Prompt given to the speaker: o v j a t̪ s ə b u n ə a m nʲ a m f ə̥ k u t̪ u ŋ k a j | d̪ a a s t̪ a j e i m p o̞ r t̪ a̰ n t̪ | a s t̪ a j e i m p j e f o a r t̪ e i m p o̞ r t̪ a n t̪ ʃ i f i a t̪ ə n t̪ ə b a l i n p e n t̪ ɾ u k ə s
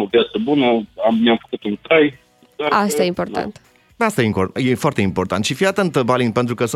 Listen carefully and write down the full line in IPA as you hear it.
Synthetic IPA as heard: o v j a t̪ s ə b u n ə a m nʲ a m f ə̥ k u t̪ u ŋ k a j | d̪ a a s t̪ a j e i m p o̞ r t̪ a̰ n t̪ | a s t̪ a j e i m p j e f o a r t̪ e i m p o̞ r t̪ a n t̪ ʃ i f i a t̪ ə n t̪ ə b a l i n p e n t̪ ɾ u k ə s